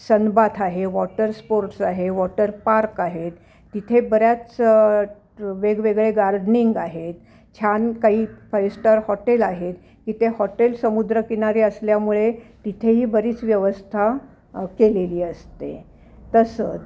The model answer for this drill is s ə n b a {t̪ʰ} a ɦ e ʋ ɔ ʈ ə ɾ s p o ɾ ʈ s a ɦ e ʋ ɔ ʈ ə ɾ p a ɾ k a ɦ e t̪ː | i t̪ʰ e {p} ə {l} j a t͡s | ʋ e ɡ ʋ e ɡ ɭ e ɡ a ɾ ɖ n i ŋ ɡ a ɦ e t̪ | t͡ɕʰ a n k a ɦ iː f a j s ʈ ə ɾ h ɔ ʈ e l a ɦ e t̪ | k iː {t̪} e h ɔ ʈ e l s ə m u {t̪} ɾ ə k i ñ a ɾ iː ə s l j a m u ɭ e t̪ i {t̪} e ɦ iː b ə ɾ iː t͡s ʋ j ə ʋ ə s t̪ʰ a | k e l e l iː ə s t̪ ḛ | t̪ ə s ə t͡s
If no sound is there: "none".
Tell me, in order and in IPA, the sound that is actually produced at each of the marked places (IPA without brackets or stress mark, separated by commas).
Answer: t̪ʰ, b, ɾ, t̪, d̪, t̪ʰ